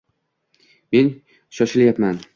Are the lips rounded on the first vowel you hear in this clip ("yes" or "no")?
no